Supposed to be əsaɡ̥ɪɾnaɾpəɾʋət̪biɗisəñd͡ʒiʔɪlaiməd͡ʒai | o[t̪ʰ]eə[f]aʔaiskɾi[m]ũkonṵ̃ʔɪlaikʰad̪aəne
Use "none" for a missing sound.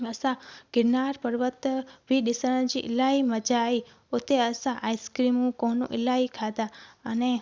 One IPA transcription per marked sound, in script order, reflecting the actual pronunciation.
t̪, s, m

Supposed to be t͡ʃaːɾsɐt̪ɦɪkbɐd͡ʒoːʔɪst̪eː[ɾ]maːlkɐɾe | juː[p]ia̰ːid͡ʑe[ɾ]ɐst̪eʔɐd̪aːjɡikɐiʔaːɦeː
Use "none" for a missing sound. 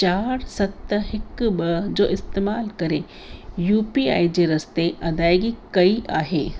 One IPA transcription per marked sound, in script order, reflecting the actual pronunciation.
none, p, ɾ

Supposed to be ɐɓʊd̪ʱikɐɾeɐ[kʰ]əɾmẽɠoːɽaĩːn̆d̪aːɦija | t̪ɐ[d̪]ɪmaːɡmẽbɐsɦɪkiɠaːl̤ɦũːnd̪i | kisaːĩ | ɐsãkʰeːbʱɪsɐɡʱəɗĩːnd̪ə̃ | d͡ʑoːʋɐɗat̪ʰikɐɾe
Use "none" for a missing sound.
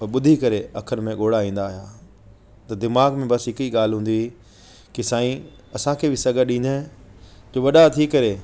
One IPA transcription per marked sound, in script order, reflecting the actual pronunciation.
kʰ, d̪

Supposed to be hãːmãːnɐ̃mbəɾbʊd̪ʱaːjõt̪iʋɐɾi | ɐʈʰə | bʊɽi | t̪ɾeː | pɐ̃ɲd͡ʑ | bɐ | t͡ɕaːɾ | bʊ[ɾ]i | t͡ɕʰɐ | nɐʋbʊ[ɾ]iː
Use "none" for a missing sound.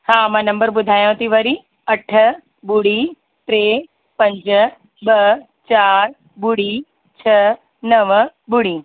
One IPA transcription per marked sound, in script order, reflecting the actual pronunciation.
ɽ, ɽ

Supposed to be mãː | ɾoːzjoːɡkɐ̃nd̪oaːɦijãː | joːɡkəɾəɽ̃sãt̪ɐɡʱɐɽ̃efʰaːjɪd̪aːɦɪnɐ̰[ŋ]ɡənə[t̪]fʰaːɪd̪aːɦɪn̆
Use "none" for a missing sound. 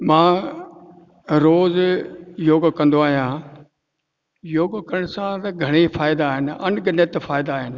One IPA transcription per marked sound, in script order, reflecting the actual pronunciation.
n, t̪

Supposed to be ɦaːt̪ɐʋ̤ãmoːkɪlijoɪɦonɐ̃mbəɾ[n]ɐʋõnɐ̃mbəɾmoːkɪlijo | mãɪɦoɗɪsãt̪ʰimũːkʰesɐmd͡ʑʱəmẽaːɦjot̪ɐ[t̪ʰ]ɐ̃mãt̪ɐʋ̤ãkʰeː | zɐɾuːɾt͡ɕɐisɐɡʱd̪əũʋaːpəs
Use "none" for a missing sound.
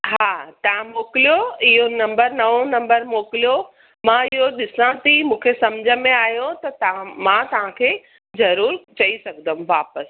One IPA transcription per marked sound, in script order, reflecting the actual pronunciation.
n, t̪

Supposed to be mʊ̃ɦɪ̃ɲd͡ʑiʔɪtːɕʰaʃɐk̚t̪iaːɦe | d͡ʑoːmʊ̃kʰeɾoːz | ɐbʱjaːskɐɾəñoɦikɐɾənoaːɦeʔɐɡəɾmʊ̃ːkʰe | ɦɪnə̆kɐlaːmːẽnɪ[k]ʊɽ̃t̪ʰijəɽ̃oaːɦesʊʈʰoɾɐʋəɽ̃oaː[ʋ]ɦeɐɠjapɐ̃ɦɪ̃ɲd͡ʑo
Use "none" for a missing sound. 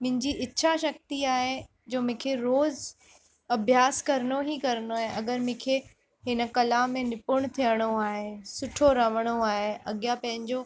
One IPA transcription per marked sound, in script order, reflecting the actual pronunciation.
p, none

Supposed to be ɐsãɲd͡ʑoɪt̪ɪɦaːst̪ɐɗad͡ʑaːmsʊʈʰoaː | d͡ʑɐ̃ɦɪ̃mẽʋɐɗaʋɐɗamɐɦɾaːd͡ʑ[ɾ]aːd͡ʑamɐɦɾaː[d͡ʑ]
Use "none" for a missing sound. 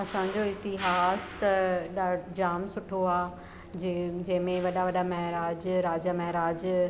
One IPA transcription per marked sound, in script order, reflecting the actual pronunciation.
ɾ, d͡ʑ

